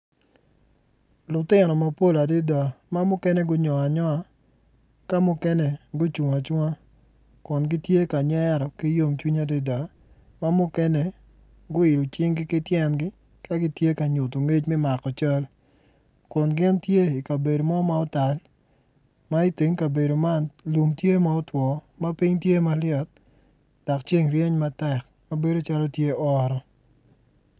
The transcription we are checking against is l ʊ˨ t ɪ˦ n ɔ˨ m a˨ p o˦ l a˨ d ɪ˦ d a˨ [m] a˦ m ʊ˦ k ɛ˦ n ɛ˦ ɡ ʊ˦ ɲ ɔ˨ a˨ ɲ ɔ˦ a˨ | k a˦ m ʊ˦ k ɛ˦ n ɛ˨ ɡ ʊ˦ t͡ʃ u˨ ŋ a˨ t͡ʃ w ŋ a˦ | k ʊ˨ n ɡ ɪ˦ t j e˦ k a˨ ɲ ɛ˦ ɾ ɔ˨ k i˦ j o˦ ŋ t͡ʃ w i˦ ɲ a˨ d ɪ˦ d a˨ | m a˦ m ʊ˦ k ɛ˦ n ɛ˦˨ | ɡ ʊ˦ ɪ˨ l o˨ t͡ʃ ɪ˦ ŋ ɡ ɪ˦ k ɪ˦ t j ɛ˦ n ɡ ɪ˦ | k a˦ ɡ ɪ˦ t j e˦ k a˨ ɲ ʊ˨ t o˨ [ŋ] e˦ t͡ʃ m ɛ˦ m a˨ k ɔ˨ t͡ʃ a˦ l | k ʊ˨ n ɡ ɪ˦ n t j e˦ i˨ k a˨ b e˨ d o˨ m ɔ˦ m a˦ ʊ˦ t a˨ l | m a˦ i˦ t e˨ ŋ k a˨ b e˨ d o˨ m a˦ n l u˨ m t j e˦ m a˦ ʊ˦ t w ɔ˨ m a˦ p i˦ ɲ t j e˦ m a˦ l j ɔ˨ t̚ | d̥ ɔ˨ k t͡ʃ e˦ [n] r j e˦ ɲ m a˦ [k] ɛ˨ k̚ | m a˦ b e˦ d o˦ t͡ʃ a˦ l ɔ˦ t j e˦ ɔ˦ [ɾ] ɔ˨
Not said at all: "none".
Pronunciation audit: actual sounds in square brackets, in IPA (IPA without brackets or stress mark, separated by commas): m, ŋ, ŋ, t, ɾ